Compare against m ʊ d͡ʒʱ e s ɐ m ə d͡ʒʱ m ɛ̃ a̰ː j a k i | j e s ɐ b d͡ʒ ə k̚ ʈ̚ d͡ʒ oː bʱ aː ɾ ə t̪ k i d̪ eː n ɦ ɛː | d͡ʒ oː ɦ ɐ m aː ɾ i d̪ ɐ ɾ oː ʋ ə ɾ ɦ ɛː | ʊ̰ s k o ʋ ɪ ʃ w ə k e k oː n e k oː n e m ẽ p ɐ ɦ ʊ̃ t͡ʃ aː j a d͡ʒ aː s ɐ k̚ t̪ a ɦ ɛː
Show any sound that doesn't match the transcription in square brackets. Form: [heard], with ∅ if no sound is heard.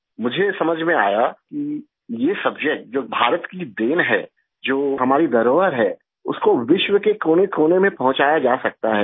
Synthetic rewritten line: m ʊ d͡ʒʱ e s ɐ m ə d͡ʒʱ m [ẽ] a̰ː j a k i | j e s ɐ b d͡ʒ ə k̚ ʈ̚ d͡ʒ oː bʱ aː ɾ ə t̪ k i d̪ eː n ɦ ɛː | d͡ʒ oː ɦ ɐ m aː ɾ i d̪ ɐ ɾ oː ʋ ə ɾ ɦ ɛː | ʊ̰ s k o ʋ ɪ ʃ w ə k e k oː n e k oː n e m ẽ p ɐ ɦ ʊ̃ t͡ʃ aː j a d͡ʒ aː s ɐ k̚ t̪ a ɦ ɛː

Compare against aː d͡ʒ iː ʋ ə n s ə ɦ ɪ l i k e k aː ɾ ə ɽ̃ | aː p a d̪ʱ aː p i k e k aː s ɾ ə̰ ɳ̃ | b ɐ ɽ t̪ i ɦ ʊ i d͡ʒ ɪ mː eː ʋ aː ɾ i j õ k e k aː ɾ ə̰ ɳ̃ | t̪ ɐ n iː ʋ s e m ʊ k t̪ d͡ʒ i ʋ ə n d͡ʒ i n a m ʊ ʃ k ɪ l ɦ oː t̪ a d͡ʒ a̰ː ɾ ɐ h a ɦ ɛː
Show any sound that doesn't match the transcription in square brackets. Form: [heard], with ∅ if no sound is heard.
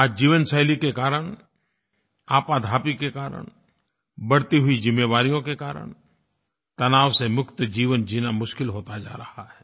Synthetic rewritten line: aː d͡ʒ iː ʋ ə n s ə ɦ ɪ l i k e k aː ɾ ə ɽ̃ | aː p a d̪ʱ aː p i k e k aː [∅] ɾ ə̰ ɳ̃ | b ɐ ɽ t̪ i ɦ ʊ i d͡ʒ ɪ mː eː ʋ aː ɾ i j õ k e k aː ɾ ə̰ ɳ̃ | t̪ ɐ n [aː] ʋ s e m ʊ k t̪ d͡ʒ [iː] ʋ ə n d͡ʒ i n a m ʊ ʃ k ɪ l ɦ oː t̪ a d͡ʒ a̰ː ɾ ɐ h a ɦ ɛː

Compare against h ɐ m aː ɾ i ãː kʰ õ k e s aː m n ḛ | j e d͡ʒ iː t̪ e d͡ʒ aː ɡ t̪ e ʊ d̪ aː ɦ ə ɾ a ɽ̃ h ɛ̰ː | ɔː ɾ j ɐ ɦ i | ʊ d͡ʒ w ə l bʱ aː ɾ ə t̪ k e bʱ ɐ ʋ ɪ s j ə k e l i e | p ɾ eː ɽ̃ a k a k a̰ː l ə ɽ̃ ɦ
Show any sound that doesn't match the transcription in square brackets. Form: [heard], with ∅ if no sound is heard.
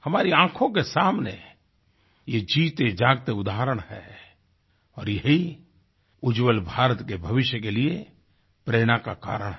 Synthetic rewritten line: h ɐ m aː ɾ i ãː kʰ õ k e s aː m n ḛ | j e d͡ʒ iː t̪ e d͡ʒ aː ɡ t̪ e ʊ d̪ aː ɦ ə ɾ [ə] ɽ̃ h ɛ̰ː | ɔː ɾ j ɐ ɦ i | ʊ d͡ʒ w ə l bʱ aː ɾ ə t̪ k e bʱ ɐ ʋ ɪ [ʃ] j ə k e l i e | p ɾ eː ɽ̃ a k a k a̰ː [ɾ] ə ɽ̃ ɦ

